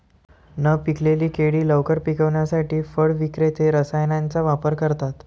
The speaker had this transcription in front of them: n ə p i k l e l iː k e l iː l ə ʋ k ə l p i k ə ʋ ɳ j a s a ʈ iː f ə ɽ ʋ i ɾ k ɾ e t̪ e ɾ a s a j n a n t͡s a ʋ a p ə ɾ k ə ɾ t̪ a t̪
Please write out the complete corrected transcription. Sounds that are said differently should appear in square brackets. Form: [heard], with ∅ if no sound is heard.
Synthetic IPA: n ə p i k l e l iː k e [ɽ] iː l ə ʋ k ə [ɾ] p i k ə ʋ ɳ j a s a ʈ iː f ə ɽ ʋ i [∅] k ɾ e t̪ e ɾ [ə] s a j n a n t͡s a ʋ a p ə ɾ k ə ɾ t̪ a t̪